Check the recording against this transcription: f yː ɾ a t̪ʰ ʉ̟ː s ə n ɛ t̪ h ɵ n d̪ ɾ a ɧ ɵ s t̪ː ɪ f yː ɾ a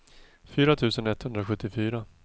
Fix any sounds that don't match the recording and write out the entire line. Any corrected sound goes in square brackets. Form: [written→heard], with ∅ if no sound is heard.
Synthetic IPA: f yː ɾ a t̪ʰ ʉ̟ː s ə n ɛ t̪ h ɵ n d̪ ɾ a ɧ ɵ [s→∅] t̪ː ɪ f yː ɾ a